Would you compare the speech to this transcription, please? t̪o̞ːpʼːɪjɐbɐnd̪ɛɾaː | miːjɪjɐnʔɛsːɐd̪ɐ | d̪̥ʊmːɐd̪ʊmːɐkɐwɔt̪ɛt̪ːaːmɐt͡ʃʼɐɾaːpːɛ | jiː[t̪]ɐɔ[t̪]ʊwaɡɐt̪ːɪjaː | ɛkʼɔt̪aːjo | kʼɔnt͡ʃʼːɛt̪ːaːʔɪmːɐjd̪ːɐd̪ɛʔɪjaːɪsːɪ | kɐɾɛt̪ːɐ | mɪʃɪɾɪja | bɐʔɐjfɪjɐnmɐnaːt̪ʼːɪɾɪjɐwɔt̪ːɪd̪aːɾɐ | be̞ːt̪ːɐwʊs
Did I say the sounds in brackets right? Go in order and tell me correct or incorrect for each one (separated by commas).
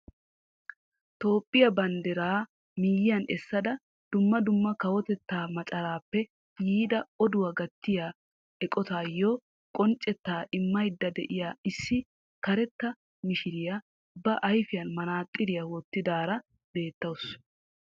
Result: incorrect, incorrect